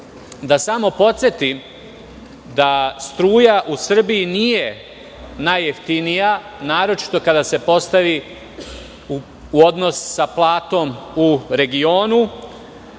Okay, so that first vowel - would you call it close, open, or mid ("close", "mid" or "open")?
open